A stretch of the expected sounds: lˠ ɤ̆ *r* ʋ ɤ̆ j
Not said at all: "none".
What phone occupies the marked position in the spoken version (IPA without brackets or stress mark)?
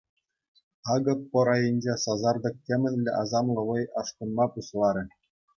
none